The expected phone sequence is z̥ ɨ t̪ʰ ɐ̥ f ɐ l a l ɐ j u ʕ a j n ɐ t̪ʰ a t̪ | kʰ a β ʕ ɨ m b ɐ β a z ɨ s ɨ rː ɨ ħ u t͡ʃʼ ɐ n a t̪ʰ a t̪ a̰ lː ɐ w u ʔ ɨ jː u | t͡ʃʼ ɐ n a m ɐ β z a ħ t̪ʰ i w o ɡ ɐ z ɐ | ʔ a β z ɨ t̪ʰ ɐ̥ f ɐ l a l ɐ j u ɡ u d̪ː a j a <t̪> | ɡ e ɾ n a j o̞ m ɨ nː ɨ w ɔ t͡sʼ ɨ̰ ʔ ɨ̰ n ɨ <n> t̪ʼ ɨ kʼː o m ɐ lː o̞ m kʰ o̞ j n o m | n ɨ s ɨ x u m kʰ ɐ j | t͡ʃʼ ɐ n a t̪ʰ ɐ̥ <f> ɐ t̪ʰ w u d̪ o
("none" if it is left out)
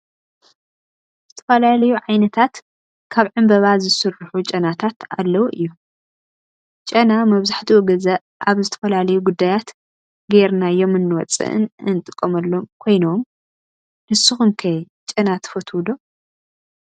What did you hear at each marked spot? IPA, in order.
t̪, n, f

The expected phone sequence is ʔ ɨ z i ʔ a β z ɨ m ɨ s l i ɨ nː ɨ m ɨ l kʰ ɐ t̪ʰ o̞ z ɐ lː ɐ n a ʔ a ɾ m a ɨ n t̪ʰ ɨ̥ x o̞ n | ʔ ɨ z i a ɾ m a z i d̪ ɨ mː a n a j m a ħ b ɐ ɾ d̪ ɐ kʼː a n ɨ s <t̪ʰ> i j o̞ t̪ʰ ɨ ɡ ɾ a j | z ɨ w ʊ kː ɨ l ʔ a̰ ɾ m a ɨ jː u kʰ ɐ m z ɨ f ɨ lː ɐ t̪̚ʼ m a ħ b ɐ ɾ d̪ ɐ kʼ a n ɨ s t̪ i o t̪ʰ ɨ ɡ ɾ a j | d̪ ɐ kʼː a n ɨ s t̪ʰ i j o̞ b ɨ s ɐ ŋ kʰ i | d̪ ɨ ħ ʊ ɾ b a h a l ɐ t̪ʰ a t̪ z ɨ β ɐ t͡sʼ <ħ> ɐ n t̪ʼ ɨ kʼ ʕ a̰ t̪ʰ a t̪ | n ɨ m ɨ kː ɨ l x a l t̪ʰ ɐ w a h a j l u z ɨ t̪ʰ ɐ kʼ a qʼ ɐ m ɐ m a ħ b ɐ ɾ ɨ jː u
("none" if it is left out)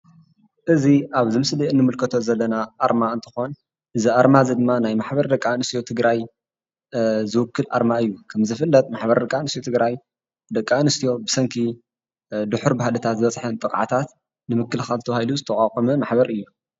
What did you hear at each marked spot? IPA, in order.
t̪, ħ

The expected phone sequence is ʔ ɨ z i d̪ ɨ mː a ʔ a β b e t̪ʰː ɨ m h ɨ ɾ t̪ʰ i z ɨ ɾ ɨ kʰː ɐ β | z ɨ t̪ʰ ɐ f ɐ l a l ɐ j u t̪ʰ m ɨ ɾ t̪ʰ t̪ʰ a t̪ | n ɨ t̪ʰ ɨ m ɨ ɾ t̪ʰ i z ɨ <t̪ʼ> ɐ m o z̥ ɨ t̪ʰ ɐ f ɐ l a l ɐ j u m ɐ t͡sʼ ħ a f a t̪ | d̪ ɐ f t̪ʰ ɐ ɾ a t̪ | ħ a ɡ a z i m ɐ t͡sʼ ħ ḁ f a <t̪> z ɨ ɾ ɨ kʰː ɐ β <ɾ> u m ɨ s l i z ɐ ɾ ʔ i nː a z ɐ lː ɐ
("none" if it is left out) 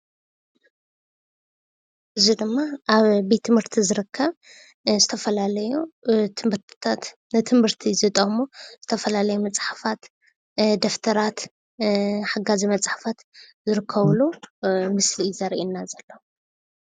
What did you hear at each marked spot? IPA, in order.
t̪ʼ, t̪, l

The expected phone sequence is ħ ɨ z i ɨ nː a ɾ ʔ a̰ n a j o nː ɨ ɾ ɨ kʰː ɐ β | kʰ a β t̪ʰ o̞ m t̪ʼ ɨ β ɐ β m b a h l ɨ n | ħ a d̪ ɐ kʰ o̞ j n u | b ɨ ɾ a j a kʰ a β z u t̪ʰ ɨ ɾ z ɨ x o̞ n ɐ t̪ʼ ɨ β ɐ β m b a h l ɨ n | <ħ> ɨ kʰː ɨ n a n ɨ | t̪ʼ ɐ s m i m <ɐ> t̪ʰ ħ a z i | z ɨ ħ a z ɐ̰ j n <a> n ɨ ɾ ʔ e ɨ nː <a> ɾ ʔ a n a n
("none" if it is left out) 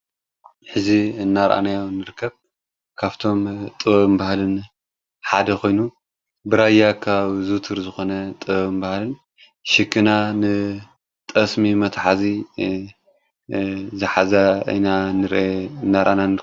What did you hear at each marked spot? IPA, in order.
ʃ, ɐ, a, a

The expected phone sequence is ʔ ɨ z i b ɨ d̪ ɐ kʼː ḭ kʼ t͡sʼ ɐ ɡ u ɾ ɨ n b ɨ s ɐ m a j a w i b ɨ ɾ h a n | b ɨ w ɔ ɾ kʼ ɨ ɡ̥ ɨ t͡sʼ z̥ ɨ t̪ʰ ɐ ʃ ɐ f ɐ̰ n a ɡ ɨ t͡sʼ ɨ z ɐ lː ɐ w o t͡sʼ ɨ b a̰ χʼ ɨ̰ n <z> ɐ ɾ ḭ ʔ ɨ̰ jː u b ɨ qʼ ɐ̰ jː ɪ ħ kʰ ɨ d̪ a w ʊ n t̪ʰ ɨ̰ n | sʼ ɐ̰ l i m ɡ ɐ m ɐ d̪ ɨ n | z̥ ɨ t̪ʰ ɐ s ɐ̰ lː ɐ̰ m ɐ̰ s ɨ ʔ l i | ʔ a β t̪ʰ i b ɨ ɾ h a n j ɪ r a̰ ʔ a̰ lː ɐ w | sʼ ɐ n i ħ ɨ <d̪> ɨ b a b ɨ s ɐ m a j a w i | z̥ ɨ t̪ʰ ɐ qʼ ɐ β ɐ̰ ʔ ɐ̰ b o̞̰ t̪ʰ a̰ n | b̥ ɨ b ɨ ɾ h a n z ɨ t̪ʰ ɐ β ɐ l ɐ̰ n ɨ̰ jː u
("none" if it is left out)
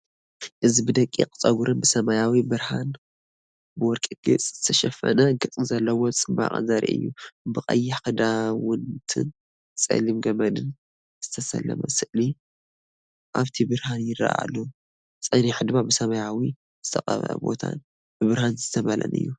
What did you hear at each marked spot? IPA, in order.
z, d̪

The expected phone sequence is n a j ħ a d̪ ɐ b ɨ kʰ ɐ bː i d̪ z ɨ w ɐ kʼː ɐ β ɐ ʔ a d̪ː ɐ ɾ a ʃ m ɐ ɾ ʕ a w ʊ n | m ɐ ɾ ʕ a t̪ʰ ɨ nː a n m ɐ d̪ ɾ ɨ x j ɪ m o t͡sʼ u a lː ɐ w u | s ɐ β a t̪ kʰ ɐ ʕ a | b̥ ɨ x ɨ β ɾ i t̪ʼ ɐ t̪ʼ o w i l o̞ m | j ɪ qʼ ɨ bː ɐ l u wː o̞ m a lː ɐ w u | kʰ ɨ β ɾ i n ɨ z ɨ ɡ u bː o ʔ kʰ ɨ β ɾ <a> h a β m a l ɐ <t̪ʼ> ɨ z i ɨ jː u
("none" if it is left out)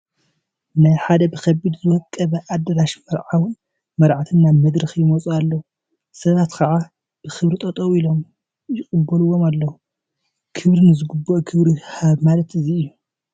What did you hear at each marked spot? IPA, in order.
i, t̪

